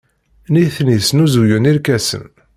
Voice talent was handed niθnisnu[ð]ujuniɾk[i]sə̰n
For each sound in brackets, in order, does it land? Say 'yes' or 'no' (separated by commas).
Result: no, no